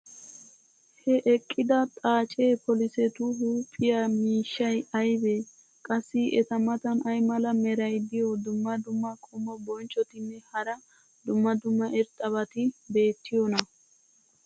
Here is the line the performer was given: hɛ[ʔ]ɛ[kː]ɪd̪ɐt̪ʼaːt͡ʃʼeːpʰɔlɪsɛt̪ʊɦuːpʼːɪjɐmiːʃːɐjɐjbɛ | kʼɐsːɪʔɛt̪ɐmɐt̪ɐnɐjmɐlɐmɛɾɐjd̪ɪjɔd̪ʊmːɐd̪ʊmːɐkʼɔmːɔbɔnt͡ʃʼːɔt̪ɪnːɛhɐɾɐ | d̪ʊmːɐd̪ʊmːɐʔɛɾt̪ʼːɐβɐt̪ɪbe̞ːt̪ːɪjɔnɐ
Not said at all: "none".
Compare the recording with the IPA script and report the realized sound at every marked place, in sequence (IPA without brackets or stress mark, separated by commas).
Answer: ʔ, kʼː